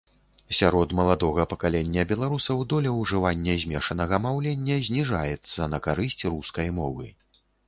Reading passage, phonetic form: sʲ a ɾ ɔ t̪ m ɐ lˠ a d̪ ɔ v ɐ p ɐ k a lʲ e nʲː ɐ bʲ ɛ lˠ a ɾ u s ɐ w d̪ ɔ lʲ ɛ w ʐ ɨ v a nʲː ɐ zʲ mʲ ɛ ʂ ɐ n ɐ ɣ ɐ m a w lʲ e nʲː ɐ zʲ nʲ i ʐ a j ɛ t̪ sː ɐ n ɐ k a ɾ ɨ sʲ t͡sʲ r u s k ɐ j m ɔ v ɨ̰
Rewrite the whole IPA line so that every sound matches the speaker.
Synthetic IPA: sʲ a ɾ ɔ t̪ m ɐ lˠ a d̪ ɔ ɣ ɐ p ɐ k a lʲ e nʲː ɐ bʲ ɛ lˠ a ɾ u s ɐ w d̪ ɔ lʲ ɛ w ʐ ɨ v a nʲː ɐ zʲ mʲ ɛ ʂ ɐ n ɐ ɣ ɐ m a w lʲ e nʲː ɐ zʲ nʲ i ʐ a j ɛ t̪ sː ɐ n ɐ k a ɾ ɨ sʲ t͡sʲ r u s k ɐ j m ɔ v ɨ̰